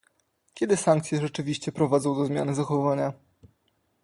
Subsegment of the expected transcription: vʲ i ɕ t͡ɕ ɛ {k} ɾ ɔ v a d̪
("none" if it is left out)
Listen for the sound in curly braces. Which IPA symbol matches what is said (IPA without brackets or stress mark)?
p